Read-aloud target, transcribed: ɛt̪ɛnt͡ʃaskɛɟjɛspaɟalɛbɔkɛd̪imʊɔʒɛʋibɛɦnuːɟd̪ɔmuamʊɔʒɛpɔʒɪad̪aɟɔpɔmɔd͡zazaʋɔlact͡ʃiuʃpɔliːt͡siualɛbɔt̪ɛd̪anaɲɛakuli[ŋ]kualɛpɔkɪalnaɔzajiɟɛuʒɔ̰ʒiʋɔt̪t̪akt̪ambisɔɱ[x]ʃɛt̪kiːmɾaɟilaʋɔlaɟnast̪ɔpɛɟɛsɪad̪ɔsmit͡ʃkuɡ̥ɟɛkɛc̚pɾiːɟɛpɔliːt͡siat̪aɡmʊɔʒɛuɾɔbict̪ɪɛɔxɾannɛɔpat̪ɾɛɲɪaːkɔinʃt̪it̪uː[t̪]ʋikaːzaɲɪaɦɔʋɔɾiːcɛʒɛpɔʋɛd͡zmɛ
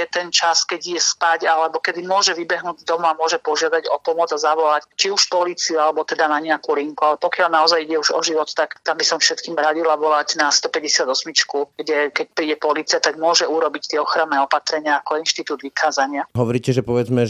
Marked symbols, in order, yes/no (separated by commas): yes, no, no